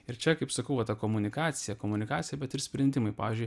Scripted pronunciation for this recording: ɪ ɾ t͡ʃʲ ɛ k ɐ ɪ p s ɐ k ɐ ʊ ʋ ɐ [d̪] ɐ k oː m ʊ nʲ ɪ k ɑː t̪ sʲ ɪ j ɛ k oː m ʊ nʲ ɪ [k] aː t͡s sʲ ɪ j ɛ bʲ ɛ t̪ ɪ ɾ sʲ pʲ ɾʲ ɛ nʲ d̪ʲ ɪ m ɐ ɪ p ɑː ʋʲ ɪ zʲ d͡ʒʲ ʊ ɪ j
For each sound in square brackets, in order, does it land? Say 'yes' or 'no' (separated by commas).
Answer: no, yes